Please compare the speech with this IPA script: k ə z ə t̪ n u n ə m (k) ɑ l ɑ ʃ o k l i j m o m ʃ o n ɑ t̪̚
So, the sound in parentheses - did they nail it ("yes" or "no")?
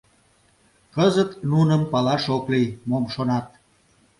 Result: no